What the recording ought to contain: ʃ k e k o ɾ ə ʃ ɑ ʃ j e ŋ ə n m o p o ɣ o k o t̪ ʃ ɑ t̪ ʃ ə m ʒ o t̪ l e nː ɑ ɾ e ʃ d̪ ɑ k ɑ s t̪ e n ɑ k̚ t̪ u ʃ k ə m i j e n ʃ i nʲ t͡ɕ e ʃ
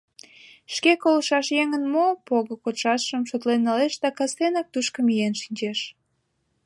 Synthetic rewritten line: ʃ k e k o l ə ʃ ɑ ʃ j e ŋ ə n m o p o ɣ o k o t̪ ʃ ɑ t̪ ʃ ə m ʃ o t̪ l e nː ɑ l e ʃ d̪ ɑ k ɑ s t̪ e n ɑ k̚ t̪ u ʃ k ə m i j e n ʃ i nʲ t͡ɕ e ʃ

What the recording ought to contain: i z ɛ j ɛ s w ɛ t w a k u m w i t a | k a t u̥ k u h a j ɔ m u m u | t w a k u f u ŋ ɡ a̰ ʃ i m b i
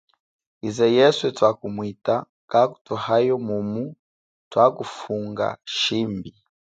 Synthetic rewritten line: i z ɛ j ɛ s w ɛ t w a k u m w i t a | k a k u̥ t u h a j ɔ m u m u | t w a k u f u ŋ ɡ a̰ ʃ i m b i

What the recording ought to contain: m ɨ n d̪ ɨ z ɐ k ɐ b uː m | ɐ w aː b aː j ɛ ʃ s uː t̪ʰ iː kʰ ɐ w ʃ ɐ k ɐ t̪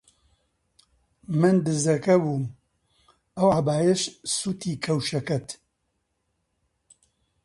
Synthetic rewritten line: m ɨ n d̪ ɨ z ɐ k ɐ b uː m | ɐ w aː b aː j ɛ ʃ s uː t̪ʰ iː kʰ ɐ w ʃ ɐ k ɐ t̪

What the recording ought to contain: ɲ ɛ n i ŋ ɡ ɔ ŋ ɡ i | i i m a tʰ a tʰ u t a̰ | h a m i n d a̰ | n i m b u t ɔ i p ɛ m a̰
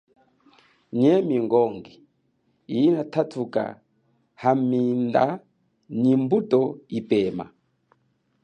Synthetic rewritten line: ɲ ɛ m i ŋ ɡ ɔ ŋ ɡ i | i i n a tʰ a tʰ u k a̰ | h a m i n d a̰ | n i m b u t ɔ i p ɛ m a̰

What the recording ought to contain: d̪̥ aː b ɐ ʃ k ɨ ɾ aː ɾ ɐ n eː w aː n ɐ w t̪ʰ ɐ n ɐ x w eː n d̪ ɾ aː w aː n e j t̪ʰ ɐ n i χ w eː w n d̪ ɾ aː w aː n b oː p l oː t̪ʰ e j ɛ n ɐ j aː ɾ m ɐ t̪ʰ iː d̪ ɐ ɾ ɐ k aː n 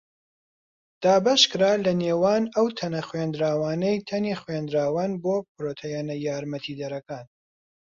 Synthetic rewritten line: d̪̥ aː b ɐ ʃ k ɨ ɾ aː l ɐ n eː w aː n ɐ w t̪ʰ ɐ n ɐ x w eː n d̪ ɾ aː w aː n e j t̪ʰ ɐ n i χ w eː n d̪ ɾ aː w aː n b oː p ɾ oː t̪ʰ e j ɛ n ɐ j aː ɾ m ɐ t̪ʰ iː d̪ ɐ ɾ ɐ k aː n

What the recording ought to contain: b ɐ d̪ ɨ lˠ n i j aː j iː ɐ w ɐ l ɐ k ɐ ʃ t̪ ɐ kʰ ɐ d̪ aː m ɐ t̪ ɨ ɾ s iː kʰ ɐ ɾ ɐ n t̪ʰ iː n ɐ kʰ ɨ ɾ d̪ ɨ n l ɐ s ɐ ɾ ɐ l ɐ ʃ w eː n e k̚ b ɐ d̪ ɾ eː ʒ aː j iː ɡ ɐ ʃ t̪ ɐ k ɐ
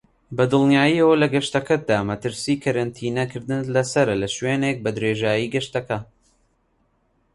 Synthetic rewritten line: b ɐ d̪ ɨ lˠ n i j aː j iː ɐ w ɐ l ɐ ɡ ɐ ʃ t̪ ɐ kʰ ɐ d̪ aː m ɐ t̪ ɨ ɾ s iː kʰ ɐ ɾ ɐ n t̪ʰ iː n ɐ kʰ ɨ ɾ d̪ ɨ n l ɐ s ɐ ɾ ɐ l ɐ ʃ w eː n e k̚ b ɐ d̪ ɾ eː ʒ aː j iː ɡ ɐ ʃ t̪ ɐ k ɐ

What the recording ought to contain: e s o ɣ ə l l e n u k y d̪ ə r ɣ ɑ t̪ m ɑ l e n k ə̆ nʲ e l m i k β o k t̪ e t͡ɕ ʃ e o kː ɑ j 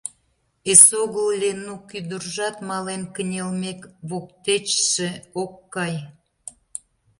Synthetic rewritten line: e s o ɣ ə l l e n u k y d̪ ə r ʒ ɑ t̪ m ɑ l e n k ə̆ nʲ e l m e k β o k t̪ e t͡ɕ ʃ e o kː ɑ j

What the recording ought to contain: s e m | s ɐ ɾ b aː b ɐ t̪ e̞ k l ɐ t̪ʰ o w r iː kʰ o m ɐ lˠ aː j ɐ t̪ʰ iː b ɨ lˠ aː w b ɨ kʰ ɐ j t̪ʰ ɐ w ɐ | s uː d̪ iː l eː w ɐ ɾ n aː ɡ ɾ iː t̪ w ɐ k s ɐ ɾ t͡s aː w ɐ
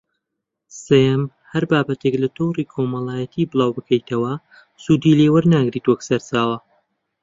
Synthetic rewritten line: s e m | h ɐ ɾ b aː b ɐ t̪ e̞ k l ɐ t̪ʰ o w r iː kʰ o m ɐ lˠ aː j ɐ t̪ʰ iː b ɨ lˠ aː w b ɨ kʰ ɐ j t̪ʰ ɐ w ɐ | s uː d̪ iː l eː w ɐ ɾ n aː ɡ ɾ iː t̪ w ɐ k s ɐ ɾ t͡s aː w ɐ

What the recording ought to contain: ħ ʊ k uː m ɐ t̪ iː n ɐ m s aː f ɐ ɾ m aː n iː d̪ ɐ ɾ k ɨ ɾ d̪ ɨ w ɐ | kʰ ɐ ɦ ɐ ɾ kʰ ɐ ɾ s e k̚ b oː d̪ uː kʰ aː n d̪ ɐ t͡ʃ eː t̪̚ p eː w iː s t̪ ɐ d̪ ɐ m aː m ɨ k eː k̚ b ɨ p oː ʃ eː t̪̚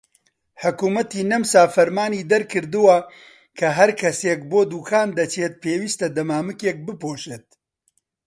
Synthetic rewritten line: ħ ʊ k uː m ɐ t̪ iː n ɐ m s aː f ɐ ɾ m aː n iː d̪ ɐ ɾ k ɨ ɾ d̪ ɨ w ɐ | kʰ ɐ ɦ ɐ ɾ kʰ ɐ s e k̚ b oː d̪ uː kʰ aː n d̪ ɐ t͡ʃ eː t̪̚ p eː w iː s t̪ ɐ d̪ ɐ m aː m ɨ k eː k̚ b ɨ p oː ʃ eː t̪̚

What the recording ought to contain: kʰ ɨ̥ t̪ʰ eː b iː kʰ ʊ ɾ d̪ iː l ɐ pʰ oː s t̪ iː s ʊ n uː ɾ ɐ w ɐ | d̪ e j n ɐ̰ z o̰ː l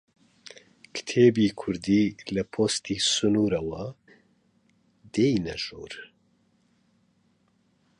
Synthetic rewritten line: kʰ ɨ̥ t̪ʰ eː b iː kʰ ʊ ɾ d̪ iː l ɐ pʰ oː s t̪ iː s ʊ n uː ɾ ɐ w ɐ | d̪ e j n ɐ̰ ʒ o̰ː ɾ

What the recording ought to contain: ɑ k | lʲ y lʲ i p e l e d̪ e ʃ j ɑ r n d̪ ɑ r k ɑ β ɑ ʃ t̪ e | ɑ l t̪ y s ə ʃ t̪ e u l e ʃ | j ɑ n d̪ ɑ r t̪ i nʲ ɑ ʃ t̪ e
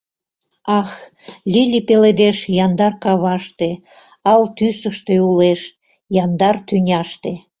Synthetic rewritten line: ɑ x | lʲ i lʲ i p e l e d̪ e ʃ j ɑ n d̪ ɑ r k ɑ β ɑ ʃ t̪ e | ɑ l t̪ y s ə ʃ t̪ e u l e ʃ | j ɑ n d̪ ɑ r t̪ y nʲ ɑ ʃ t̪ e

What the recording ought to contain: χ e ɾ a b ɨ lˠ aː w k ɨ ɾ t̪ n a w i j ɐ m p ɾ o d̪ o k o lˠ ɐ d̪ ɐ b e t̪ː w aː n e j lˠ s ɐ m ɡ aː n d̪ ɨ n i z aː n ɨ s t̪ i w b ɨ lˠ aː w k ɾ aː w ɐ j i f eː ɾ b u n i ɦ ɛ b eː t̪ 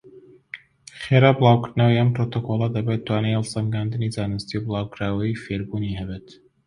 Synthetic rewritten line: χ e ɾ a b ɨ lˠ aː w k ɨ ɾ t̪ n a w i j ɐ m p ɾ o t̪ o k o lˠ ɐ d̪ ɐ b e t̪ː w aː n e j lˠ s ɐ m ɡ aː n d̪ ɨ n i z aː n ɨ s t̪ i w b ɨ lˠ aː w k ɾ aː w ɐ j i f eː ɾ b u n i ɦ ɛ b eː t̪

